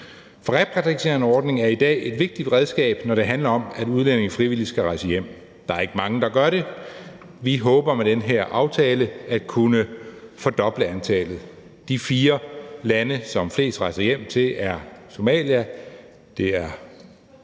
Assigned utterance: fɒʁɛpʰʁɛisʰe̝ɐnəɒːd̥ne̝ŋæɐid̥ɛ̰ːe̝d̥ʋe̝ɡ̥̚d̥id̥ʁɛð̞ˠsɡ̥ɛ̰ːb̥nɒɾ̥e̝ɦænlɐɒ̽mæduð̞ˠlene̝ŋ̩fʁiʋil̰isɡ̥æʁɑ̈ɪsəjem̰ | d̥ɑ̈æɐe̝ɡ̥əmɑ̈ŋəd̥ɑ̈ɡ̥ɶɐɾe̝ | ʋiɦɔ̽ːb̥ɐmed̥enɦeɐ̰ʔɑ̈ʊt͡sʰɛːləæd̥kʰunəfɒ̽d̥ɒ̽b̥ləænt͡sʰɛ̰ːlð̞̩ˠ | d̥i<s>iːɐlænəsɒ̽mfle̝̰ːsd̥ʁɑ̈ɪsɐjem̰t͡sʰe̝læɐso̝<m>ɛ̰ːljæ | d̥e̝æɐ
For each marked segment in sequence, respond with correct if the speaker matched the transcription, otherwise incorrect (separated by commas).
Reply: incorrect, correct